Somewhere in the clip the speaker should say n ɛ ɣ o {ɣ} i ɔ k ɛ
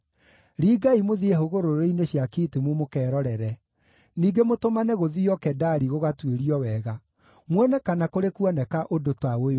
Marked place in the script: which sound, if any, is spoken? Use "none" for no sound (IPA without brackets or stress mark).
ð